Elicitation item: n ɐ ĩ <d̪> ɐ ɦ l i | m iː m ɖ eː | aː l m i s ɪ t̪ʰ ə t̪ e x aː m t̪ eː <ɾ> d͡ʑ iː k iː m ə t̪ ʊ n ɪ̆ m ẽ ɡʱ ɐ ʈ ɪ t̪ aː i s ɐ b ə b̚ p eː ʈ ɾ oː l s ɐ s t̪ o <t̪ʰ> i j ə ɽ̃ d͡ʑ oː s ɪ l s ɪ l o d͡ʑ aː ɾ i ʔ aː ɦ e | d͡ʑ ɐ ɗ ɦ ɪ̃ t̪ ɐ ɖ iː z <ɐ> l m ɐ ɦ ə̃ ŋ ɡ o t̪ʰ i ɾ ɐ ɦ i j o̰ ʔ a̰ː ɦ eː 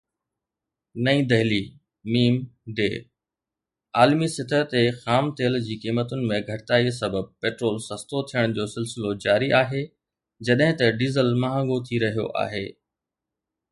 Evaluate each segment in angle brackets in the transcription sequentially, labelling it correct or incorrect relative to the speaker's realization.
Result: correct, incorrect: l, correct, incorrect: ə

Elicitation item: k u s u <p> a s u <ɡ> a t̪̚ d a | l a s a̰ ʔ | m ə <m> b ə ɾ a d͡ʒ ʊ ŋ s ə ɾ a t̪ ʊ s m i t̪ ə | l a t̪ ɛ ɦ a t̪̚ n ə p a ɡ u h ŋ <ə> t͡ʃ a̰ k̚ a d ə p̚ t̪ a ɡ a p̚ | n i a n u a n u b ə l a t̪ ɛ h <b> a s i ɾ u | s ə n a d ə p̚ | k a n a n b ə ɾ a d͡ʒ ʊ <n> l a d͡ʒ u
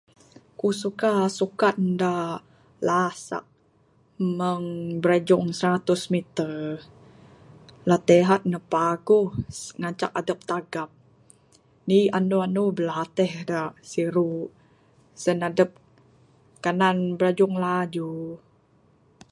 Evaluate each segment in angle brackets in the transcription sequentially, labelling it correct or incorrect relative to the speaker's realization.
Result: incorrect: k, incorrect: k, incorrect: ŋ, incorrect: a, incorrect: d, incorrect: ŋ

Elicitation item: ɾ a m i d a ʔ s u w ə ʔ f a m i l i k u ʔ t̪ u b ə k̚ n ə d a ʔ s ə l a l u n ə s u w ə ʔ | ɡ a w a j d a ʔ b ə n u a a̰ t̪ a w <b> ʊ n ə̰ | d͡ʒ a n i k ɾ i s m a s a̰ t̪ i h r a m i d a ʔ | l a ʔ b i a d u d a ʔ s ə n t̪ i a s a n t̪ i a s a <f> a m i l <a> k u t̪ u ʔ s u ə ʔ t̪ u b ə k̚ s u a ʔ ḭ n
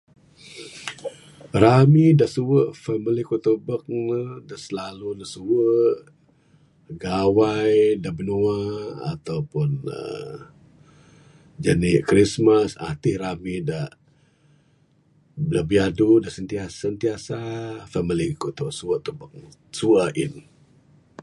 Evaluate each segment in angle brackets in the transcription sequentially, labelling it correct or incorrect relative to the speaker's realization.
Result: incorrect: p, correct, incorrect: i

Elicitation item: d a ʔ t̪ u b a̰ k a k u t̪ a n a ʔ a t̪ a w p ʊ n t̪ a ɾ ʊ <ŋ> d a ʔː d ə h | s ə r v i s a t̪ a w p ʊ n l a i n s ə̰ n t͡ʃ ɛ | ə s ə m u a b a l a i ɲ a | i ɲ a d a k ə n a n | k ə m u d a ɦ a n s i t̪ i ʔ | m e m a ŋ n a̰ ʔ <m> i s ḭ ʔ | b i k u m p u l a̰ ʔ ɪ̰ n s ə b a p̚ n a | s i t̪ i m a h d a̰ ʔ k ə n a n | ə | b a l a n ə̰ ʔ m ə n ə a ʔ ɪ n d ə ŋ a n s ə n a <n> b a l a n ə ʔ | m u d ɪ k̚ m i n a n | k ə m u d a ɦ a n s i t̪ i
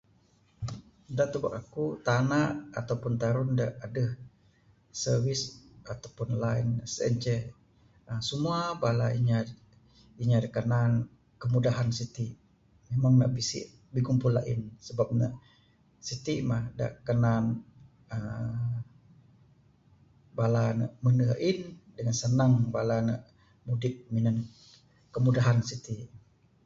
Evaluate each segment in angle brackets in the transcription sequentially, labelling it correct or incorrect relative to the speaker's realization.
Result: incorrect: n, incorrect: b, incorrect: ŋ

